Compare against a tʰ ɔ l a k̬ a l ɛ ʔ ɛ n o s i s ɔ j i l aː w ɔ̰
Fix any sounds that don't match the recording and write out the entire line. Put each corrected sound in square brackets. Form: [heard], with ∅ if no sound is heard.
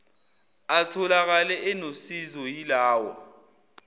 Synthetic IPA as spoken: a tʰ ɔ l a k̬ a l ɛ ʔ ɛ n o s i [z] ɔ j i l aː w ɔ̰